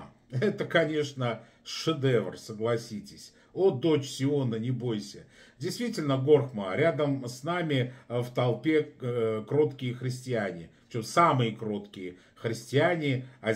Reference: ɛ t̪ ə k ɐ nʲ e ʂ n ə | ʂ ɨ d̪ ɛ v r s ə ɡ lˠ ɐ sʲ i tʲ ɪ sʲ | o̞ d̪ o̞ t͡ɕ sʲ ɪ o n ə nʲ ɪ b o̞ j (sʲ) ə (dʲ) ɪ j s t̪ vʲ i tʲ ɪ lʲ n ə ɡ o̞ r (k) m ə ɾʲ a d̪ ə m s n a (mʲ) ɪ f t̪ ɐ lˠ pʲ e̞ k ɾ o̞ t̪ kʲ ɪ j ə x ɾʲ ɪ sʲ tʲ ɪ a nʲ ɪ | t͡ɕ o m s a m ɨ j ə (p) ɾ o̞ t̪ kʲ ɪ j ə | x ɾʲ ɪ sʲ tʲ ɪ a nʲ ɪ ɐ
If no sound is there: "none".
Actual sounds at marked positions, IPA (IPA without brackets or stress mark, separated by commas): sʲ, dʲ, x, mʲ, k